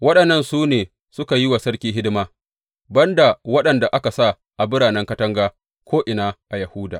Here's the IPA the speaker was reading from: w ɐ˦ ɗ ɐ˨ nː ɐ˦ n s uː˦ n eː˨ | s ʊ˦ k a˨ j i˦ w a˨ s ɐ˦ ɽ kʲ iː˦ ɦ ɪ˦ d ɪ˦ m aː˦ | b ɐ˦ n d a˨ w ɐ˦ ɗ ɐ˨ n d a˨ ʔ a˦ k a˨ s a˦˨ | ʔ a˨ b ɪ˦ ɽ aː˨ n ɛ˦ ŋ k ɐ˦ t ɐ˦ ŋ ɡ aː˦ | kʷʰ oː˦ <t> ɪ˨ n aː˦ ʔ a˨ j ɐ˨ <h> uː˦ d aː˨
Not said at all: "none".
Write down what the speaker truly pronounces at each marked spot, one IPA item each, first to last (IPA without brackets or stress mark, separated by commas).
ʔ, h